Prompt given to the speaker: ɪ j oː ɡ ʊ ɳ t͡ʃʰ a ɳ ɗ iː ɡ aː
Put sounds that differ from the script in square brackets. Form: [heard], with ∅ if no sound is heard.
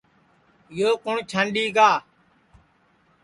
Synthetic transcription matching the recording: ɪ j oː [k] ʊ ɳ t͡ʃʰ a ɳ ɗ iː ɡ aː